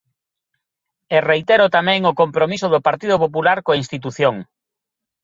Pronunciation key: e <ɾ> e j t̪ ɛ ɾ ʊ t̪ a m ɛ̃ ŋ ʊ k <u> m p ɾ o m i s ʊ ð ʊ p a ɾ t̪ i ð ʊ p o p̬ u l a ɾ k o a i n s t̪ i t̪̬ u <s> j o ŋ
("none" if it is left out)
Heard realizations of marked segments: r, o, θ

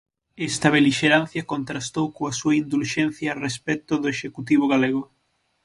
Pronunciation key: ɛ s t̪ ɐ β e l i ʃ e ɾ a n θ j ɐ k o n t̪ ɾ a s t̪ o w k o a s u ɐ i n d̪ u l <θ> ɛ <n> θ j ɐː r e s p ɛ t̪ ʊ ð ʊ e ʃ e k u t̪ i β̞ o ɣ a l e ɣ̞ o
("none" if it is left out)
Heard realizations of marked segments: ʃ, n

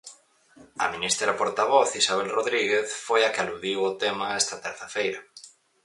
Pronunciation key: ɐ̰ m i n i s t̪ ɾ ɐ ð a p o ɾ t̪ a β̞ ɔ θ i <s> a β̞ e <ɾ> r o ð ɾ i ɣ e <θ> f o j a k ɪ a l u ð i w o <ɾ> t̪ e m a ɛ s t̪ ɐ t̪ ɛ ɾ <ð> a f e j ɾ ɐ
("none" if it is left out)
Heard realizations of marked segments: s, l, θ, none, θ

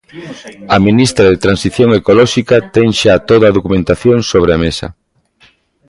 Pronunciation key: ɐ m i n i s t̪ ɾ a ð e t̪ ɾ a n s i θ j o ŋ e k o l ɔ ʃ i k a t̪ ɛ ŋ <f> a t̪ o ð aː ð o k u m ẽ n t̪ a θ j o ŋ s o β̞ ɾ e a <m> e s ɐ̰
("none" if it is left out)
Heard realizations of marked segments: ʃ, m

